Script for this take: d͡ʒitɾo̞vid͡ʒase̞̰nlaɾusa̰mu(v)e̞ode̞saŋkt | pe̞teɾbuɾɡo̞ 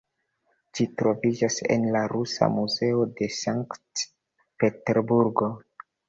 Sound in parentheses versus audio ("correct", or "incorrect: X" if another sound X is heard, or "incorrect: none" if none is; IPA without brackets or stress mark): incorrect: z